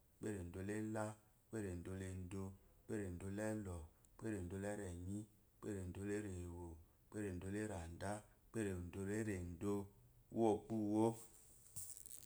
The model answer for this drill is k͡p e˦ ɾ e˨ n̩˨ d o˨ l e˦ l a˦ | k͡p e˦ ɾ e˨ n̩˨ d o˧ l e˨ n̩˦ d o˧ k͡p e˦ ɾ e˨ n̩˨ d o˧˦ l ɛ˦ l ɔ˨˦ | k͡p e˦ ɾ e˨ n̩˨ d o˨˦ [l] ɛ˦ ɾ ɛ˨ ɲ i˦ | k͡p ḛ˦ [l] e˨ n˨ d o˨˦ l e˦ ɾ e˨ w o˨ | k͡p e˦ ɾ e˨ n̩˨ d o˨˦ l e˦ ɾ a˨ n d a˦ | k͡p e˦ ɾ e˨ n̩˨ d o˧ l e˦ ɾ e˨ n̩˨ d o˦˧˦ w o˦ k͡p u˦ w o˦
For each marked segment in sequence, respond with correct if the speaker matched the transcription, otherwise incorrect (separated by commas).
correct, incorrect